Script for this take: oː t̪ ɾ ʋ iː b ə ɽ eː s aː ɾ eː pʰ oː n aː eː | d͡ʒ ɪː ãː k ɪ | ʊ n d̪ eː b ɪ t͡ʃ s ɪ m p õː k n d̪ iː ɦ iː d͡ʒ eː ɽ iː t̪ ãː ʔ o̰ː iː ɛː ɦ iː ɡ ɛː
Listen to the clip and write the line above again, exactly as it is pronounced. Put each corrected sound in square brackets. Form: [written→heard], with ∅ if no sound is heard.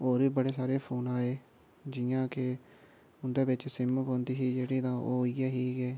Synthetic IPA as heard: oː [t̪→∅] ɾ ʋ iː b ə ɽ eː s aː ɾ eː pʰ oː n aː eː | d͡ʒ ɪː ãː k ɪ | ʊ n d̪ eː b ɪ t͡ʃ s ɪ m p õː [k→∅] n d̪ iː ɦ iː d͡ʒ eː ɽ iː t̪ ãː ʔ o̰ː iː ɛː ɦ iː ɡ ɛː